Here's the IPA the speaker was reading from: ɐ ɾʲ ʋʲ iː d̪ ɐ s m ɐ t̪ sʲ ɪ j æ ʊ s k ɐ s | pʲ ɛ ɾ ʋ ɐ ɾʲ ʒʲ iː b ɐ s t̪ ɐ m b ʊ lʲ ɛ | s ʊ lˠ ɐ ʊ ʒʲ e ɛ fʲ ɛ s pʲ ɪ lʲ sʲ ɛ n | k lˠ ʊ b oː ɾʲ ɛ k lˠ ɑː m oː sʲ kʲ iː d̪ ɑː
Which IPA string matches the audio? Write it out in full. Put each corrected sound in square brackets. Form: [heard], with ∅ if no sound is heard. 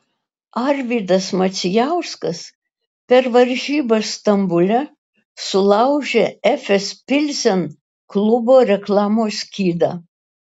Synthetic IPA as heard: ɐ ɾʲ ʋʲ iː d̪ ɐ s m ɐ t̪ sʲ ɪ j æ ʊ s k ɐ s | pʲ ɛ ɾ ʋ ɐ ɾʲ ʒʲ iː b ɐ s t̪ ɐ m b ʊ lʲ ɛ | s ʊ lˠ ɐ ʊ ʒʲ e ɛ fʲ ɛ s pʲ ɪ lʲ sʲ ɛ n | k lˠ ʊ b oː ɾʲ ɛ k lˠ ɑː m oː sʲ kʲ iː d̪ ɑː